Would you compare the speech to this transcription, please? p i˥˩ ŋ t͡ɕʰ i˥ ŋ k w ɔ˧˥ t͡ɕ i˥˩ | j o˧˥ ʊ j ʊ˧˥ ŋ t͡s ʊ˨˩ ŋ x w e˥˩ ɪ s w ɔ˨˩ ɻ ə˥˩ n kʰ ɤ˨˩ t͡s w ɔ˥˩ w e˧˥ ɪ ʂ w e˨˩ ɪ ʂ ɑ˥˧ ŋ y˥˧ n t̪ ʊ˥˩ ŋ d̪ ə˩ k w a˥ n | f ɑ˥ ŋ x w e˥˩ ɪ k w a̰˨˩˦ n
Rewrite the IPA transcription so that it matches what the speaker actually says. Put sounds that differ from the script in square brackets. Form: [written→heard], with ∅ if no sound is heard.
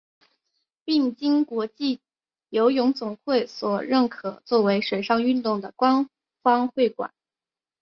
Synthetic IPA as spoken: p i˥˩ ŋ [t͡ɕʰ→t͡ɕ] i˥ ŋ k w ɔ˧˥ t͡ɕ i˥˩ | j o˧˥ ʊ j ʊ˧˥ ŋ t͡s ʊ˨˩ ŋ x w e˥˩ ɪ s w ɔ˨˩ ɻ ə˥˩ n kʰ ɤ˨˩ t͡s w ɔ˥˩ w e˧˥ ɪ ʂ w e˨˩ ɪ ʂ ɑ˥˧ ŋ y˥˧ n t̪ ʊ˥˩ ŋ d̪ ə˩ k w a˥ n | f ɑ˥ ŋ x w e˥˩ ɪ k w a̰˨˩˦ n